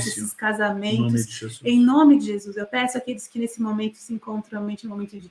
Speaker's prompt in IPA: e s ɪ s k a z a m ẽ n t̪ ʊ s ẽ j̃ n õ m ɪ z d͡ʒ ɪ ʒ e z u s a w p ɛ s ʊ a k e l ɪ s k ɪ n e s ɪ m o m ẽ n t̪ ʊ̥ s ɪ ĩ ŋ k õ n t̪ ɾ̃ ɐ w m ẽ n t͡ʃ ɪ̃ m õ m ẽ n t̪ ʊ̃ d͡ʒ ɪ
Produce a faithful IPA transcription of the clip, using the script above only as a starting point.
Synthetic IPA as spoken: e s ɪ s k a z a m ẽ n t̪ ʊ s ẽ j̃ n õ m ɪ d͡ʒ ɪ ʒ e z u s e w p ɛ s ʊ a k e l ɪ s k ɪ n e s ɪ m o m ẽ n t̪ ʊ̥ s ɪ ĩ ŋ k õ n t̪ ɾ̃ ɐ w m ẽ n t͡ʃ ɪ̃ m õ m ẽ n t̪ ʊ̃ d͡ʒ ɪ